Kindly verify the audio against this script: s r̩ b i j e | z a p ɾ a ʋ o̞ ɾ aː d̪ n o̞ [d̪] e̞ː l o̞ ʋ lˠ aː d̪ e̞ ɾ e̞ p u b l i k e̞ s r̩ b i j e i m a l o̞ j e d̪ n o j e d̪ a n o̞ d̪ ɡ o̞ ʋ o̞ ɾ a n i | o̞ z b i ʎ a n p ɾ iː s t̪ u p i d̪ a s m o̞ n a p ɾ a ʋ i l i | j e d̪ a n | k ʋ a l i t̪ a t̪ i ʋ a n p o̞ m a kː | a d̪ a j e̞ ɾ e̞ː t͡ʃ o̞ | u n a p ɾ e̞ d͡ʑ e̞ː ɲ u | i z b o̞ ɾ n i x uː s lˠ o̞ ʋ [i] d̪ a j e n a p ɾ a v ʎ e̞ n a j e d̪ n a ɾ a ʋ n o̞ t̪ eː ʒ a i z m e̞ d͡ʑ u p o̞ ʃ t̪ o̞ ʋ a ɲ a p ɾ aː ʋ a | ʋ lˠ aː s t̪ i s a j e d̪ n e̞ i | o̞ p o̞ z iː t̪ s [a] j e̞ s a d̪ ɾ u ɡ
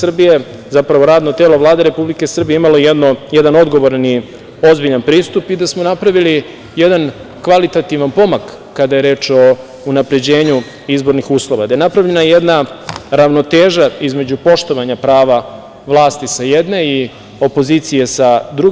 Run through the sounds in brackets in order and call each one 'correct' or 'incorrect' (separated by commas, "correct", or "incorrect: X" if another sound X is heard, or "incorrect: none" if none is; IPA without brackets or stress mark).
incorrect: t̪, incorrect: a, incorrect: i